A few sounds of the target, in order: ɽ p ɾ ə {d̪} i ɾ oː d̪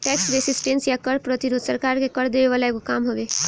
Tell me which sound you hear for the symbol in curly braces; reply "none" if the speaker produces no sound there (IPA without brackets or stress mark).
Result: t̪